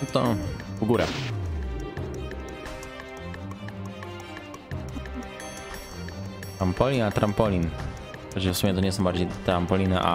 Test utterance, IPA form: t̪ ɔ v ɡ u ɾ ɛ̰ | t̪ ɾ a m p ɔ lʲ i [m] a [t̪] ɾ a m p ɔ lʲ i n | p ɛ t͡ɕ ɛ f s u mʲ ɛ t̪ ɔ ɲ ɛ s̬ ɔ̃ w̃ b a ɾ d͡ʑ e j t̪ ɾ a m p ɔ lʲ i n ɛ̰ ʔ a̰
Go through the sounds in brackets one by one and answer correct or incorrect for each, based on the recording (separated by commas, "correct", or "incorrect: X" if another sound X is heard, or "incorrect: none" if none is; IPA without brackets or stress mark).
incorrect: n, correct